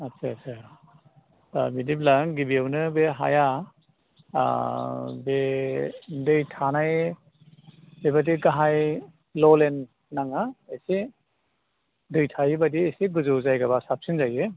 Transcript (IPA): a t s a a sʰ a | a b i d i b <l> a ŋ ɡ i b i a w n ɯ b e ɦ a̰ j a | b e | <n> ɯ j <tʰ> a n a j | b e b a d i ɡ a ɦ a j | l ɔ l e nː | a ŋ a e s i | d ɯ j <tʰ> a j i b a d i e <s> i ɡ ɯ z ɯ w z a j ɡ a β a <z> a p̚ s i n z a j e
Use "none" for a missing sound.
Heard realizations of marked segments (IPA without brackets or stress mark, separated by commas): l, d, tʰ, tʰ, s, s